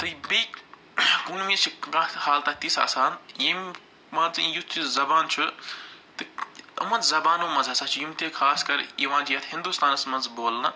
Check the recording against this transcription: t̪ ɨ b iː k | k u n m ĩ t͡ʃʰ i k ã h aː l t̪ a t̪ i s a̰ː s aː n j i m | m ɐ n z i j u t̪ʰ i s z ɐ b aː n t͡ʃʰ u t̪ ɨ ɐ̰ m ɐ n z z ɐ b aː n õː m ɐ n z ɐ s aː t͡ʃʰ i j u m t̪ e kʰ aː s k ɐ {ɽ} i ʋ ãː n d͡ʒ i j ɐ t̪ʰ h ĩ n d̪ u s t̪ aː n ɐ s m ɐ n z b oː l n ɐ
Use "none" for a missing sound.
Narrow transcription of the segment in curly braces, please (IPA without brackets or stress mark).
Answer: ɾ